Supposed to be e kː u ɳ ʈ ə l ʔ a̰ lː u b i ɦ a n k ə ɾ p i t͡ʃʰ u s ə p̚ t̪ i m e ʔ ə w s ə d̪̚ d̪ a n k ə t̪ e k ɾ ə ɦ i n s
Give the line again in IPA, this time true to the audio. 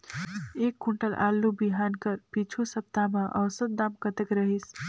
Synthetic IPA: e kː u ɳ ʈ ə l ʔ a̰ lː u b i ɦ a n k ə ɾ p i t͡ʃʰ u s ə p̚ t̪ a m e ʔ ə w s ə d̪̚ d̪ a m k ə t̪ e k ɾ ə ɦ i s